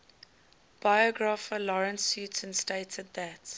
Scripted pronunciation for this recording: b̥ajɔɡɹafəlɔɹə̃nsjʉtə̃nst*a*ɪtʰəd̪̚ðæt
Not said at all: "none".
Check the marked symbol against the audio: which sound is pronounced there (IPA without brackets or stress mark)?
e